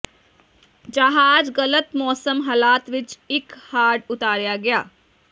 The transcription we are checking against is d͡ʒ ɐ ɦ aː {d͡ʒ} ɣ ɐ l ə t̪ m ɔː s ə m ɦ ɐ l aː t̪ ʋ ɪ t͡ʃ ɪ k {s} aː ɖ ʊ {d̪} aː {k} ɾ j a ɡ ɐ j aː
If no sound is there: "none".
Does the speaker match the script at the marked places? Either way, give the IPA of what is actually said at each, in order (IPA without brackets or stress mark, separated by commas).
d͡ʒ, h, t̪, none